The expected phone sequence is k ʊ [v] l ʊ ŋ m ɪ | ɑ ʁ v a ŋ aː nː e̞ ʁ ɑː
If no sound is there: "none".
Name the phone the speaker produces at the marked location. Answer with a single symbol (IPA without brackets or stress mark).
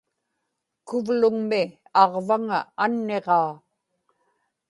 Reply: v